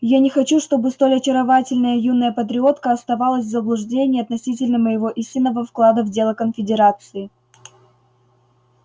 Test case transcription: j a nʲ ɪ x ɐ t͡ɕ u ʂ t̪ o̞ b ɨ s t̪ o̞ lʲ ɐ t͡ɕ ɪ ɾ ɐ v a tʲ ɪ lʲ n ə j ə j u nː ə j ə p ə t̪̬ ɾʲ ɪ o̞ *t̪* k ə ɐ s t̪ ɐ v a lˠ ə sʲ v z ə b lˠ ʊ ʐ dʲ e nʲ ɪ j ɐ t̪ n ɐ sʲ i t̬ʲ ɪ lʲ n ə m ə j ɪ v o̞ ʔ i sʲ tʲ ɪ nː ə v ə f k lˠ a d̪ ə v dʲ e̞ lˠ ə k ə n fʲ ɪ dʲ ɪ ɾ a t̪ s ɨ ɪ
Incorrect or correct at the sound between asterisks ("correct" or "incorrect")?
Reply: correct